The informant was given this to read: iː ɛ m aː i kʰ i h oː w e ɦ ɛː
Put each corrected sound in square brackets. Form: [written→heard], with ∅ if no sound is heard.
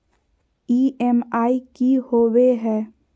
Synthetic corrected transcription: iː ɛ m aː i [kʰ→k] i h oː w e ɦ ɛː